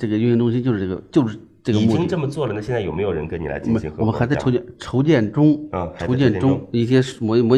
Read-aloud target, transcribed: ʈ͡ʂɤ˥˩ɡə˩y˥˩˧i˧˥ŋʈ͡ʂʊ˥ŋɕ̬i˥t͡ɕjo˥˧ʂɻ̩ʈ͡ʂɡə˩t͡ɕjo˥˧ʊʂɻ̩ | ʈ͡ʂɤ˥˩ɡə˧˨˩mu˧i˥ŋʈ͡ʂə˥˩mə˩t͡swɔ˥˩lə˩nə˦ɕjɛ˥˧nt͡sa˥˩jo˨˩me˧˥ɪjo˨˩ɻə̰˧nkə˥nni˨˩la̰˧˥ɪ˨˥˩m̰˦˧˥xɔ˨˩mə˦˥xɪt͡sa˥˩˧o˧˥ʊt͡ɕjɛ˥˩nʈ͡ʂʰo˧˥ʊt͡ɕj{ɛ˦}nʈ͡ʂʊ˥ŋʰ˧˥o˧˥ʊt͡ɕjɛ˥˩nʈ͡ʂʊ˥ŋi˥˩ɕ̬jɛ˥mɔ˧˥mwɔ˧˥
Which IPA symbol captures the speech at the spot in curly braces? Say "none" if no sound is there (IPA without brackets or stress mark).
ɛ˥˩